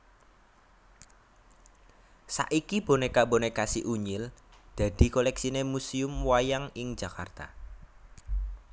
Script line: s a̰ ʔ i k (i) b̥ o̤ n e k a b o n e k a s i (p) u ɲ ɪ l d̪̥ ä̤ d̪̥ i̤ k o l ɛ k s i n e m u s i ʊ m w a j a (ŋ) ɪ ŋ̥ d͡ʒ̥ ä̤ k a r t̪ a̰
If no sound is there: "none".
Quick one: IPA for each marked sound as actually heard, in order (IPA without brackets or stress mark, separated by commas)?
i, ʔ, ŋ